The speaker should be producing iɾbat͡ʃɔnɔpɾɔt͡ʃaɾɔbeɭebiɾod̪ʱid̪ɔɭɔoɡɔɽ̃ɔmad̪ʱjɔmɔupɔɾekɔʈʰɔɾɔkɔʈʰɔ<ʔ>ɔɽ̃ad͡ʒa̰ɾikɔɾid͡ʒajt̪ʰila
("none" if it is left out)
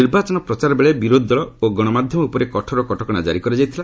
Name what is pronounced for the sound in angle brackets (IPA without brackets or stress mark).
k